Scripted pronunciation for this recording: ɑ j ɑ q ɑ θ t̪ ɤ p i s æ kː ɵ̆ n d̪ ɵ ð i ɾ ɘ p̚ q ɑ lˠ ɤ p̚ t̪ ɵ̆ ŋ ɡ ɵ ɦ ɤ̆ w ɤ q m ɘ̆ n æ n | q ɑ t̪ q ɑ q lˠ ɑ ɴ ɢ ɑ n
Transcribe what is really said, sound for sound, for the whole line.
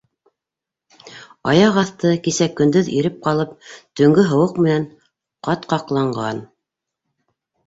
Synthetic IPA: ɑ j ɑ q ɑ θ t̪ ɤ k i s æ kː ɵ̆ n d̪ ɵ ð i ɾ ɘ p̚ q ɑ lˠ ɤ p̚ t̪ ɵ̆ ŋ ɡ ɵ ɦ ɤ̆ w ɤ q m ɘ̆ n æ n | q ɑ t̪ q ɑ q lˠ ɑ ɴ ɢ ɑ n